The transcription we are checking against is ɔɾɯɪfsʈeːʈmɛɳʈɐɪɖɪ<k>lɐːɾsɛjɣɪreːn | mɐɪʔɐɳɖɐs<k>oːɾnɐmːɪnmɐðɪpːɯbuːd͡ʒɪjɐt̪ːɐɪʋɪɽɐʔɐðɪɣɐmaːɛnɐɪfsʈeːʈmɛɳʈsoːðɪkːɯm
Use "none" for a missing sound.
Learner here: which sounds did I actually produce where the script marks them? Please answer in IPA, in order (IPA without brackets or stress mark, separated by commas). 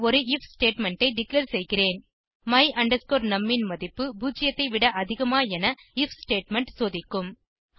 k, k